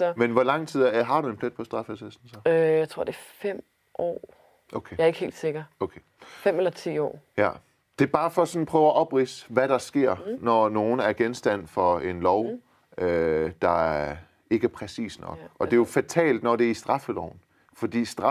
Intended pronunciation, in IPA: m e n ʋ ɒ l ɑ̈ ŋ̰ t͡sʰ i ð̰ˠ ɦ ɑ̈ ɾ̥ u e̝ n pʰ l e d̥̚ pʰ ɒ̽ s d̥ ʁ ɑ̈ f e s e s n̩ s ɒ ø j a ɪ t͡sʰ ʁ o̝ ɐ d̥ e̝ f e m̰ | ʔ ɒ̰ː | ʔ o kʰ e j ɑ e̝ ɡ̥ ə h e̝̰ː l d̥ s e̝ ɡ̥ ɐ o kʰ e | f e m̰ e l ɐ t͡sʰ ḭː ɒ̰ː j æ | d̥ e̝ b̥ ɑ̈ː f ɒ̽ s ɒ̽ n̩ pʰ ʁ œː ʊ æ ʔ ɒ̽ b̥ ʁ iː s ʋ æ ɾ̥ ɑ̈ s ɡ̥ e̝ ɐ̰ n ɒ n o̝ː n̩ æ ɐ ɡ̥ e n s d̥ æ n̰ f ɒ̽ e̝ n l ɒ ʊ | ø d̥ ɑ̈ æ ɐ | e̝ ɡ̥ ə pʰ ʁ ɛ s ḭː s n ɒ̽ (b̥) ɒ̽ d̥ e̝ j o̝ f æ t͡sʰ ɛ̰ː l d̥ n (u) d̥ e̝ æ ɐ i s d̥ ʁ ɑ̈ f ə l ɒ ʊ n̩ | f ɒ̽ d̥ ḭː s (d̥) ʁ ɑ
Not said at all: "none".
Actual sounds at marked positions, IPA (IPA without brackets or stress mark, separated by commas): ɡ̥, ɒ, d̥